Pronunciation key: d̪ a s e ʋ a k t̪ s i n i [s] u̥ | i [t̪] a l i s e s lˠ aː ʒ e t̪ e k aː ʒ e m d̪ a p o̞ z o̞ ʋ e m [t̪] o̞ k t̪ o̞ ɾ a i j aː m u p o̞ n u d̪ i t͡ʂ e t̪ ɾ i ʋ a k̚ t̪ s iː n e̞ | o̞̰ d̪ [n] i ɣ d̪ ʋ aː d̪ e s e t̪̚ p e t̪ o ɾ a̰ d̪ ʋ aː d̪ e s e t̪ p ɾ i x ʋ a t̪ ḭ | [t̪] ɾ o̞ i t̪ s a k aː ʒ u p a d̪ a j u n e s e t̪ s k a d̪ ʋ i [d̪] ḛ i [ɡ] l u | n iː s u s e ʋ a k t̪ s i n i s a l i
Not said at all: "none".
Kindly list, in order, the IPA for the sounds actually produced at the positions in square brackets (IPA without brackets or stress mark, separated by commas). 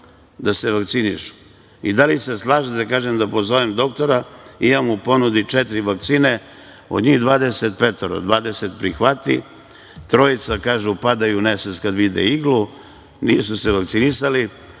ʃ, d̪, d̪, ɲ, t̪, d̪, ɡ